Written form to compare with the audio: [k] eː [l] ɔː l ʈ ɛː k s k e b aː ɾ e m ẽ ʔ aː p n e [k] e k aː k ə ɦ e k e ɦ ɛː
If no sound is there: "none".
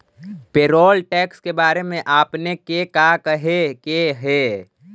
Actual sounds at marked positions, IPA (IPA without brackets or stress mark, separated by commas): p, ɾ, k